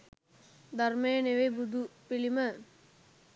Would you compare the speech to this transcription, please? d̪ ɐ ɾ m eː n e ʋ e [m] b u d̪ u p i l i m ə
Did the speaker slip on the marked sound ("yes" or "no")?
yes